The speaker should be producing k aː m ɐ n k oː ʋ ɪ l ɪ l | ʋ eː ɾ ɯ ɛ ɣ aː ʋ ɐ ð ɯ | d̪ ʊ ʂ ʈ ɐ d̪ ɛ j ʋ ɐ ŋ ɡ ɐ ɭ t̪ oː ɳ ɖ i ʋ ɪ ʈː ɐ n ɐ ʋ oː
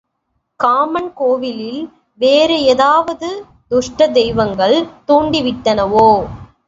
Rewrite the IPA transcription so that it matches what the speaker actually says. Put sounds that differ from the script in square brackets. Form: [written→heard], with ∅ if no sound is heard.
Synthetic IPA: k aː m ɐ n k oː ʋ ɪ l ɪ l | ʋ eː ɾ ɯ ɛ [ɣ→ð] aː ʋ ɐ ð ɯ | d̪ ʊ ʂ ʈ ɐ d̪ ɛ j ʋ ɐ ŋ ɡ ɐ ɭ t̪ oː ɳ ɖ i ʋ ɪ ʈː ɐ n ɐ ʋ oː